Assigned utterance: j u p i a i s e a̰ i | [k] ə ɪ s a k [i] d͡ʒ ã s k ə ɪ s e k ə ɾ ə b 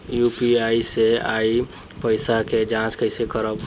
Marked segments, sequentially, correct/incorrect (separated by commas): incorrect, incorrect